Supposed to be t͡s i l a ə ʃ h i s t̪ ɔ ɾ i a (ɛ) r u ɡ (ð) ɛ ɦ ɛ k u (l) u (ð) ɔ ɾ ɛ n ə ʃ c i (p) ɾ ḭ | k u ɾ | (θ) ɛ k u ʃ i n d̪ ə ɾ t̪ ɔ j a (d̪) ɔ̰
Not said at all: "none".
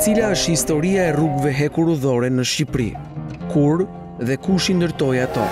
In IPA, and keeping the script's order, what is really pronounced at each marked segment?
ɛ, v, ɾ, ð, p, ð, t̪

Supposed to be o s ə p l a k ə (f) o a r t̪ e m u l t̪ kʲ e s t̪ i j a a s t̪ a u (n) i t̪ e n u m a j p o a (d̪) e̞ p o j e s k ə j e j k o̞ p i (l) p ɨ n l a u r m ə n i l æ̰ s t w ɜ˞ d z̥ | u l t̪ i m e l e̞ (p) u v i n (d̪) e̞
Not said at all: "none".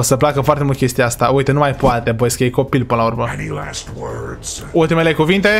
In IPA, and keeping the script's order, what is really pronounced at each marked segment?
f, none, t̪, l, k, t̪

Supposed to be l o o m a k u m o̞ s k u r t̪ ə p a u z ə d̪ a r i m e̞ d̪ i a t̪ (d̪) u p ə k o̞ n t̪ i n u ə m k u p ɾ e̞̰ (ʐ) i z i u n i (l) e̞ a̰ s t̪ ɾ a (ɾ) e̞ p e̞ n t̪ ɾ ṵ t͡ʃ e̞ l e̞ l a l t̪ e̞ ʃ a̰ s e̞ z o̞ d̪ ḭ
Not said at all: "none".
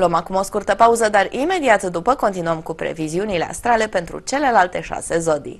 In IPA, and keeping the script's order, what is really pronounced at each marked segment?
d̪, v, l, l

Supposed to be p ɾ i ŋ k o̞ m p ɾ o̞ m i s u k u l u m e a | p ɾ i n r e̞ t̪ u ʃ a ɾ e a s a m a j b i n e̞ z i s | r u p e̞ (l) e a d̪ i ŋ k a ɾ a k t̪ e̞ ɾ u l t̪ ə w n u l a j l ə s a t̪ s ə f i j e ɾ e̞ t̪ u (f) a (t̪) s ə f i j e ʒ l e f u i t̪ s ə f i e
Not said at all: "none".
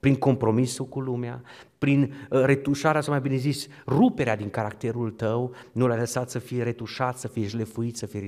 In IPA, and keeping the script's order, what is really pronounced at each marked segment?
ɾ, ʃ, t̪

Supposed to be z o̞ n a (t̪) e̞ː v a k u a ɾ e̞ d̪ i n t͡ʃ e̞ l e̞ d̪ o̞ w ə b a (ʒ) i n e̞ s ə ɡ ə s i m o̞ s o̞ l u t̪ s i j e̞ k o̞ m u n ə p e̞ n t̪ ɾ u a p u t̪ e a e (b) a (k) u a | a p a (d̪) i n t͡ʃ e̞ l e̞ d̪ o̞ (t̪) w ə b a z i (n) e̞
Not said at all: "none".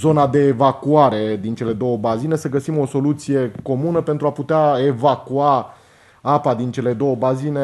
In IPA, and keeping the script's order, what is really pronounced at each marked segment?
d̪, z, v, k, d̪, none, n

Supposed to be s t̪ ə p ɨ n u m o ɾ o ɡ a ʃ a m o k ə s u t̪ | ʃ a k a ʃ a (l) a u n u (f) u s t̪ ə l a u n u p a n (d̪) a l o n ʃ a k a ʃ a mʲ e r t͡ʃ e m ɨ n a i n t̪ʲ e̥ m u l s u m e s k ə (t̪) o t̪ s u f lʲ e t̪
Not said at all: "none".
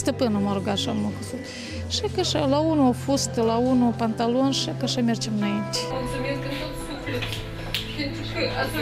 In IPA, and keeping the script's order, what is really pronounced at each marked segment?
l, f, t̪, t̪

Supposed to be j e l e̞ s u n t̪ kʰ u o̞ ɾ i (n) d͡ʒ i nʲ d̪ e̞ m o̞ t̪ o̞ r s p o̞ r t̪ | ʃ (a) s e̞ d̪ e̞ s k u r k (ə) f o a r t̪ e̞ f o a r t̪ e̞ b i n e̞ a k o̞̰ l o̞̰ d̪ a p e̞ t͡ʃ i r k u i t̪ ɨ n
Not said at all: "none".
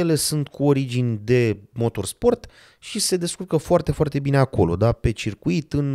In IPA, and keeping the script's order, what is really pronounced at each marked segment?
none, i, ə

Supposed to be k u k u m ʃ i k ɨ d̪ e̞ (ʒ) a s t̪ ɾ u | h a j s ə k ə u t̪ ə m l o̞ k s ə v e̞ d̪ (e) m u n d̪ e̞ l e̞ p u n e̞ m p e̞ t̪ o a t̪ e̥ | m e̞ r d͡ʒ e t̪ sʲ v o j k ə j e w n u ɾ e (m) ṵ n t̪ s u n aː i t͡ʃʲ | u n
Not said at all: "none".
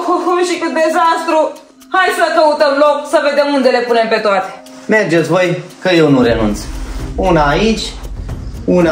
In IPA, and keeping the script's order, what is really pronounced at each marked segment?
z, e, n

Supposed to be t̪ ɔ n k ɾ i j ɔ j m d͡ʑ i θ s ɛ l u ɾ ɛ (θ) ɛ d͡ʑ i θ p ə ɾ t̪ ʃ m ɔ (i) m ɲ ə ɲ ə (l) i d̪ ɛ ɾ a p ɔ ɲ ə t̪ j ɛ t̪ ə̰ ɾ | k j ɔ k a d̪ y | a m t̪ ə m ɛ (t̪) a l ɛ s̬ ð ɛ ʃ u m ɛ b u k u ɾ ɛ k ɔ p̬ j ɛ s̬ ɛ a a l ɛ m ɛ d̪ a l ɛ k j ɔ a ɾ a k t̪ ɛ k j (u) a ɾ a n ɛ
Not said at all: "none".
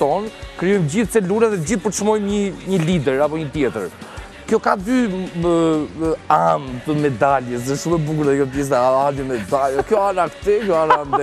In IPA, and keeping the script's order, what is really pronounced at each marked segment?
ð, j, l, d̪, ɔ

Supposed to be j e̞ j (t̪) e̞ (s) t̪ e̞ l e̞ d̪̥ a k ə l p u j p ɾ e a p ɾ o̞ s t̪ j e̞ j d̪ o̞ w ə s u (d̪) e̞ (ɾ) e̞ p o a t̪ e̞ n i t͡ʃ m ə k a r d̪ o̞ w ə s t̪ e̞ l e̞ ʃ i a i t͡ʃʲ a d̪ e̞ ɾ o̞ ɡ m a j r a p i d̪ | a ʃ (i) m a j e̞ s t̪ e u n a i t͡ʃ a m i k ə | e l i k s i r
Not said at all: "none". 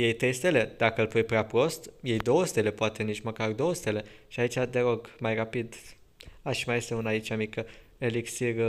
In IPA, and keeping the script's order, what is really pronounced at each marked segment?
t̪, s, t̪, l, i

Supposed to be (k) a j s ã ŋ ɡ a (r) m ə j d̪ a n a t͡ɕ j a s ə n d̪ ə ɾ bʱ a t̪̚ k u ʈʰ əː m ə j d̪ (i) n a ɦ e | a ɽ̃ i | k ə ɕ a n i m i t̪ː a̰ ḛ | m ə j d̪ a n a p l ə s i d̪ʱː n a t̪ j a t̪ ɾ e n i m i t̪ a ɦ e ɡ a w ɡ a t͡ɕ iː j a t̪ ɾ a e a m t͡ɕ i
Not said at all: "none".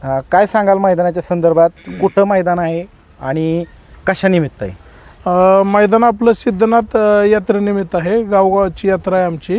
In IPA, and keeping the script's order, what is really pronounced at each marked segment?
k, l, a

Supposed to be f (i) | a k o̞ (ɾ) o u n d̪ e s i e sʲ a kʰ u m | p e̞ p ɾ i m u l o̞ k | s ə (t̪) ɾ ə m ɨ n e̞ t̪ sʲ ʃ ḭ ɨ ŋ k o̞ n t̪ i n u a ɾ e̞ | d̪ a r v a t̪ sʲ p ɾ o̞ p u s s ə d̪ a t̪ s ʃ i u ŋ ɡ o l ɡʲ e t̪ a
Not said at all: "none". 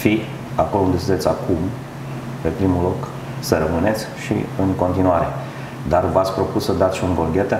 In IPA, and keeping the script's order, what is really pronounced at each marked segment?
i, l, none

